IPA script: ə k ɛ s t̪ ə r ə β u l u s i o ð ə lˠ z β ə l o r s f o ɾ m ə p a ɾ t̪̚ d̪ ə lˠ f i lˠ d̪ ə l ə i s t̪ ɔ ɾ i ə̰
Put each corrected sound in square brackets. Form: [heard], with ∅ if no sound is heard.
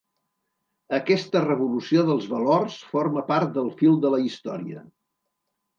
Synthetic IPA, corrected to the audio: ə k ɛ s t̪ ə r ə β u l u s i o ð ə lˠ z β ə l o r s f o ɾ m ə p a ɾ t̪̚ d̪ ə lˠ f i lˠ d̪ ə l ə i s t̪ ɔ ɾ i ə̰